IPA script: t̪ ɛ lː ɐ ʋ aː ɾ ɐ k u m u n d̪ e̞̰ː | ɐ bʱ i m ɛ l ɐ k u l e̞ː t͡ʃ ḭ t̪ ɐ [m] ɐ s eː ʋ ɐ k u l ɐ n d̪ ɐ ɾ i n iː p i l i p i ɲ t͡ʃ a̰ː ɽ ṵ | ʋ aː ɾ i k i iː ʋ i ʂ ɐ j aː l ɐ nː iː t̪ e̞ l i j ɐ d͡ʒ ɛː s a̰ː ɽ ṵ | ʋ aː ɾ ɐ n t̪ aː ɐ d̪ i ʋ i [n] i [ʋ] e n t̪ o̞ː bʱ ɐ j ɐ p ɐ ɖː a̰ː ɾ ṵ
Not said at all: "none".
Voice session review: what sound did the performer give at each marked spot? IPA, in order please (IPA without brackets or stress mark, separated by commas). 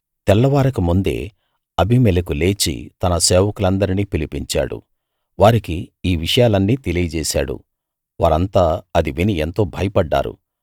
n, n, none